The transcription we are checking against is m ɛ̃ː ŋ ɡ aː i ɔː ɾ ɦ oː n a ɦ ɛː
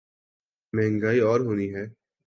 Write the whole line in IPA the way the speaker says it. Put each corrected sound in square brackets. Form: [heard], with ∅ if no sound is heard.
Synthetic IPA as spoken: m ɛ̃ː ŋ ɡ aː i ɔː ɾ ɦ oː n [i] ɦ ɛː

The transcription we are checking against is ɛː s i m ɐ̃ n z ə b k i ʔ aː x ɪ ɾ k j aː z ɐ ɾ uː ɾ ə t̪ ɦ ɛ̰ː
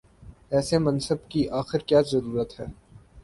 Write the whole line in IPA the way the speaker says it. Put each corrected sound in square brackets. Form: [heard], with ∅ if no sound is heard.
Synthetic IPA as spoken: ɛː s [e] m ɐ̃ n [s] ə b k i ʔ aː x ɪ ɾ k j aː z ɐ ɾ uː ɾ ə t̪ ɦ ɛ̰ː

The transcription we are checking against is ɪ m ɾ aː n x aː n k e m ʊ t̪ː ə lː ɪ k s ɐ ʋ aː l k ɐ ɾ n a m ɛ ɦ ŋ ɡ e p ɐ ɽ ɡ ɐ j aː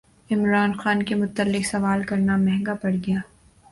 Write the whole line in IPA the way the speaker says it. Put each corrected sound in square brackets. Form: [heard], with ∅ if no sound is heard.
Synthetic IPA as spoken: ɪ m ɾ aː n x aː n k e m ʊ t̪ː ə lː ɪ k s ɐ ʋ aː l k ɐ ɾ n a m ɛ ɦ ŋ ɡ [a] p ɐ ɽ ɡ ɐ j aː

